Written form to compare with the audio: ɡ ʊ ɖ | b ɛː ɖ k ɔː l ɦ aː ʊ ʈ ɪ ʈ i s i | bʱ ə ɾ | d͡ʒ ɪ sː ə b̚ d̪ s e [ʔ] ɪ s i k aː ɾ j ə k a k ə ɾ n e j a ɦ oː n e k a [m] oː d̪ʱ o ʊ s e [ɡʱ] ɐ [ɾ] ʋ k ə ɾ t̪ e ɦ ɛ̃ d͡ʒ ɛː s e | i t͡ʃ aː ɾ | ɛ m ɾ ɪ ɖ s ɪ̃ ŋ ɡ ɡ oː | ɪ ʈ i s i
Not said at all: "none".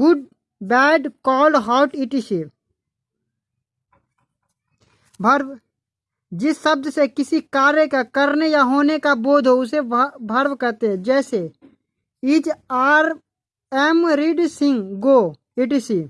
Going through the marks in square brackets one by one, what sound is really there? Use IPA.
k, b, bʱ, ɾ

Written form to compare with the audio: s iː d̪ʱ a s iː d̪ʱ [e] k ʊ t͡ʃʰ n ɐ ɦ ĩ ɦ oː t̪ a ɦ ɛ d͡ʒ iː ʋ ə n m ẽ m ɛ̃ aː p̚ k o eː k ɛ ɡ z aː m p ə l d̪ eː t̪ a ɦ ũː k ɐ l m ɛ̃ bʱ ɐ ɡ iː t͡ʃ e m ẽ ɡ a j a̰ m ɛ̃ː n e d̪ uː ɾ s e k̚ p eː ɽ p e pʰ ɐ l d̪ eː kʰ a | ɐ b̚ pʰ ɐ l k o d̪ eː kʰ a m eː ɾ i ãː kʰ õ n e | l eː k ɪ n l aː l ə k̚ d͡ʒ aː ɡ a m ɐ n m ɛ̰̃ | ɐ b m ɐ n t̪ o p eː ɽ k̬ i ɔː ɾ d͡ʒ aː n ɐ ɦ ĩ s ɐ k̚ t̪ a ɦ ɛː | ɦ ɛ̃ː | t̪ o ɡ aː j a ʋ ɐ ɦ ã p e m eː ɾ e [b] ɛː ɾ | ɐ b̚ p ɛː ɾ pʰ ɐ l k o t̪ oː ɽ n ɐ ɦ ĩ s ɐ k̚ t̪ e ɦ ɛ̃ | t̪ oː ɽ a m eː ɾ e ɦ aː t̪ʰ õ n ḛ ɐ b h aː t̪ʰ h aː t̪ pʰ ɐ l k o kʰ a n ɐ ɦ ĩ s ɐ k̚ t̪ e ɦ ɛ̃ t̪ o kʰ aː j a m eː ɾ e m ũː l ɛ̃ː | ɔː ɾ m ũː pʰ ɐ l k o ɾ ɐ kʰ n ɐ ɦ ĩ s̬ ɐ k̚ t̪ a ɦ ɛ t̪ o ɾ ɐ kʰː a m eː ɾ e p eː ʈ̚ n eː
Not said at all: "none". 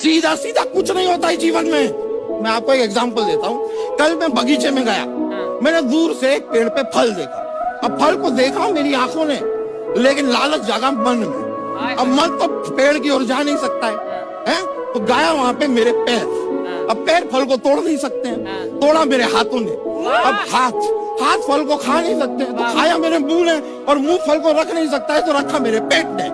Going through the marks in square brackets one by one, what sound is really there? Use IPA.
a, p

